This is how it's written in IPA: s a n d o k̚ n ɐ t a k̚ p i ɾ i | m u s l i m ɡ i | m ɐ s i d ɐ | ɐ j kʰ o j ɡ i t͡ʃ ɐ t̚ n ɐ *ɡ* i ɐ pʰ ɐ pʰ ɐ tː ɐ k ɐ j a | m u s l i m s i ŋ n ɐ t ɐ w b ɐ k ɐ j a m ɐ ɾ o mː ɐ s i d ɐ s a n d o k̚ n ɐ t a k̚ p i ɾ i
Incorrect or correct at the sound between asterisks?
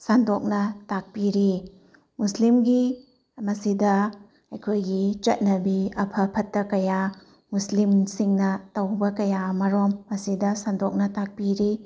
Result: incorrect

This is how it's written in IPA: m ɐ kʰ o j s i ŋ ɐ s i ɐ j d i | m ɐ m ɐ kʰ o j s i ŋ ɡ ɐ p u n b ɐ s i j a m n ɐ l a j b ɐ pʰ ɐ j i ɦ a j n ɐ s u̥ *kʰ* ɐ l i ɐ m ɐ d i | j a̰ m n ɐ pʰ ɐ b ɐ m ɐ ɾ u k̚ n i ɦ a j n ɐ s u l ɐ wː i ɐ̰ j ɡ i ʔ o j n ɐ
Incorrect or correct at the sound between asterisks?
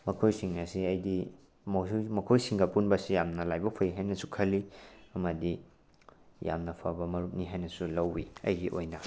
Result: correct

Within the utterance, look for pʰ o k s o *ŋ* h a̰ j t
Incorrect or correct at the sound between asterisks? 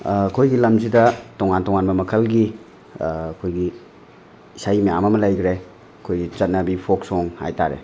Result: correct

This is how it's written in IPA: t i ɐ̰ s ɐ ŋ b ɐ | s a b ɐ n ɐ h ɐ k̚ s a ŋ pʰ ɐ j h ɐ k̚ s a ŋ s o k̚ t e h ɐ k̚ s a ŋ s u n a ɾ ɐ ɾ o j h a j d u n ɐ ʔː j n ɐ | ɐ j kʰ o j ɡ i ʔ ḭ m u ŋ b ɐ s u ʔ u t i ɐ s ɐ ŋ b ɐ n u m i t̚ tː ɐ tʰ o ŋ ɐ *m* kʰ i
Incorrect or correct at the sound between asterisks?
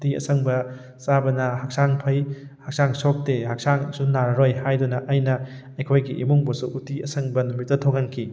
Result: incorrect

